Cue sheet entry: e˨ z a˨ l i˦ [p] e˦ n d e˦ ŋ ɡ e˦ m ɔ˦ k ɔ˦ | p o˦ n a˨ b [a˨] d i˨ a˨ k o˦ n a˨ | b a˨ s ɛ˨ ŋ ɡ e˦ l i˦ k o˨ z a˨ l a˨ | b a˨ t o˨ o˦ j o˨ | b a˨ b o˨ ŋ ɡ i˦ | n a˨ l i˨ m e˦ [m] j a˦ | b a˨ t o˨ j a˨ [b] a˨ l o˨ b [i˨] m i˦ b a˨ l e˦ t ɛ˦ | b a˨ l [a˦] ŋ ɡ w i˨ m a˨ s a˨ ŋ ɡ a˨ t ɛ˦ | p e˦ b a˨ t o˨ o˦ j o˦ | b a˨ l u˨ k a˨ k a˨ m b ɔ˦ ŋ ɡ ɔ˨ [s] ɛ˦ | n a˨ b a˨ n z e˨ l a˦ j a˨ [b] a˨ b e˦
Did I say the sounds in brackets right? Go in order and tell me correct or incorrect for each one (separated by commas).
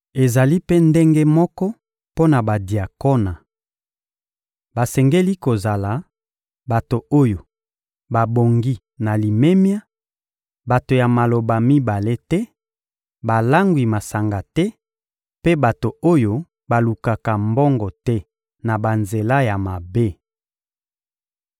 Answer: correct, correct, correct, incorrect, incorrect, correct, incorrect, incorrect